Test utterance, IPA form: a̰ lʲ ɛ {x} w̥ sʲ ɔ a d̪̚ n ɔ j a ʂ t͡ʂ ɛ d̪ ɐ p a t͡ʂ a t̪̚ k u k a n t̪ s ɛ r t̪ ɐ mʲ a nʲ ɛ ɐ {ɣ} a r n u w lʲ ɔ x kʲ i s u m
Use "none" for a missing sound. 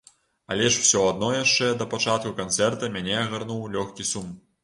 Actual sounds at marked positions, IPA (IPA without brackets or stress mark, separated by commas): ʂ, ɣ